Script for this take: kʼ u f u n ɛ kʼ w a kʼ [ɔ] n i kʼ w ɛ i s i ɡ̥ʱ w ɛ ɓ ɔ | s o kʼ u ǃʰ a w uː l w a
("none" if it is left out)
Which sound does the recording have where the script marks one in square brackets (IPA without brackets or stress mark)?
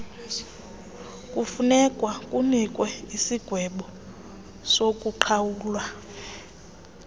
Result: u